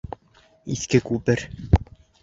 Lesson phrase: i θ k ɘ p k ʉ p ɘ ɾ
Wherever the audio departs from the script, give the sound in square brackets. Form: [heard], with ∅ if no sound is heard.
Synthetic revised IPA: i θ k ɘ [∅] k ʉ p ɘ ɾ